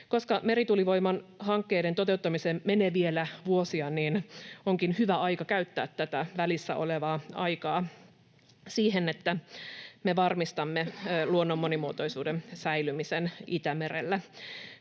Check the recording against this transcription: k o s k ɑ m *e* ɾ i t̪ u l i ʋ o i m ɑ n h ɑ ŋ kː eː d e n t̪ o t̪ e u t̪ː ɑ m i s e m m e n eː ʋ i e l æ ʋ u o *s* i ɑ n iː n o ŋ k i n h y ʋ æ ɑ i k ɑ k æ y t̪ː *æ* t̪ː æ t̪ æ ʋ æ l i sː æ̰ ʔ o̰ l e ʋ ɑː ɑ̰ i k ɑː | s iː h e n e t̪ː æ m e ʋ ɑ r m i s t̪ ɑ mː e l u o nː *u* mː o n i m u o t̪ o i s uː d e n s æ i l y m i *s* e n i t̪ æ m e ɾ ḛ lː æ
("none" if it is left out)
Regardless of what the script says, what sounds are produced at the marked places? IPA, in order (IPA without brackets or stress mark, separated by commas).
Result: e, s, æː, o, s